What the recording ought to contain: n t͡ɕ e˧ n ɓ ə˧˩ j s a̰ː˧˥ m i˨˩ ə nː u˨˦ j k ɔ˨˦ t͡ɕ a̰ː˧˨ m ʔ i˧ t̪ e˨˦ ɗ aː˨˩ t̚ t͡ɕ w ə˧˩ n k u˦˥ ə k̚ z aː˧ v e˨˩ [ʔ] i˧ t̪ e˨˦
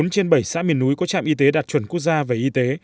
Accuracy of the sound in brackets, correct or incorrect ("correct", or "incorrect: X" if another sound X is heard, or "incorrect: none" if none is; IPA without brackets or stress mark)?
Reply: correct